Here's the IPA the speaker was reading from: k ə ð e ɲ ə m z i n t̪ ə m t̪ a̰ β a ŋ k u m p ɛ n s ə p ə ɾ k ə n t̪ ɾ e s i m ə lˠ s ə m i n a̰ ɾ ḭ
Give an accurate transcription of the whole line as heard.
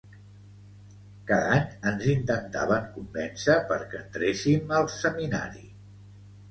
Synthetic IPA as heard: k a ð a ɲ ə n z i n t̪ ə n t̪ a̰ β ə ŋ k u m b ɛ n s ə p ə ɾ k ə n t̪ ɾ e s i m ə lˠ s ə m i n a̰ ɾ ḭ